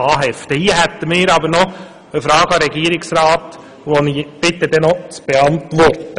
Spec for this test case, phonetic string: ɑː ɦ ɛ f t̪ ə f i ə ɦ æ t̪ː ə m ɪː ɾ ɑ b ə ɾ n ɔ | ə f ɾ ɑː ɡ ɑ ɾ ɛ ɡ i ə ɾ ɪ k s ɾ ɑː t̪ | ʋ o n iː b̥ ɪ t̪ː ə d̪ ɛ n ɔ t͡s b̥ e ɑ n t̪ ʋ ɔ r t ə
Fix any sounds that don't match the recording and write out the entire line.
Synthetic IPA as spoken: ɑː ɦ ɛ f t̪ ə h i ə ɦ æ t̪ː ə m ɪː ɾ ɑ b ə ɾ n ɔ | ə f ɾ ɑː ɡ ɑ ɾ ɛ ɡ i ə ɾ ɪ k s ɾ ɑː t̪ | ʋ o n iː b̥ ɪ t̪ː ə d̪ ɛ n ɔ t͡s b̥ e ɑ n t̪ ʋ ɔ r t ə